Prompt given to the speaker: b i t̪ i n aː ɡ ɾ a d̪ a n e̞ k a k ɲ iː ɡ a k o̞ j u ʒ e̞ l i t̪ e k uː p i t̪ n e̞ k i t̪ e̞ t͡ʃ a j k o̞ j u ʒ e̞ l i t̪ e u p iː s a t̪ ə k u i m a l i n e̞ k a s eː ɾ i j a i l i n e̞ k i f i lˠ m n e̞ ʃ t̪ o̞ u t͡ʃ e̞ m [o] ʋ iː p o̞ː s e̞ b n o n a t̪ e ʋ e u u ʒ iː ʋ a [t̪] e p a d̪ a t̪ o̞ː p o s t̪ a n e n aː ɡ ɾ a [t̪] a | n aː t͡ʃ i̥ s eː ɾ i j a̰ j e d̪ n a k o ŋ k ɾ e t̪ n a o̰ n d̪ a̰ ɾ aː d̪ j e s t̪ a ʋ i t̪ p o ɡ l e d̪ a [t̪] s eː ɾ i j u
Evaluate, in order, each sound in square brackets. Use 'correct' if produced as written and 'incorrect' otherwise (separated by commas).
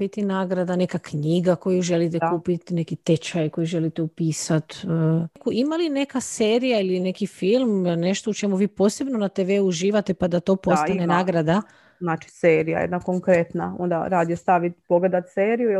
incorrect, correct, incorrect, correct